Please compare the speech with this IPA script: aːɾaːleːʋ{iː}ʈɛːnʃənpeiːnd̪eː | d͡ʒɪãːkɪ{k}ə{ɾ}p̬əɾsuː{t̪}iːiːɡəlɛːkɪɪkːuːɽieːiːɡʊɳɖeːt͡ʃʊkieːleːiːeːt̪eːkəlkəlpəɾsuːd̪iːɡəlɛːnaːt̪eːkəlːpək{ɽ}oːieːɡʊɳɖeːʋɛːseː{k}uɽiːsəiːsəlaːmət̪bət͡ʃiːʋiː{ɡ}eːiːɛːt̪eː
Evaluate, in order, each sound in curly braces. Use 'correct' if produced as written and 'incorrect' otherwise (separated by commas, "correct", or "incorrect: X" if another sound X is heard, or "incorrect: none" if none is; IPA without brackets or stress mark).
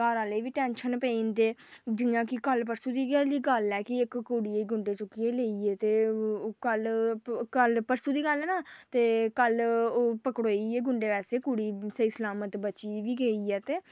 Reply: correct, correct, incorrect: l, incorrect: d̪, correct, correct, correct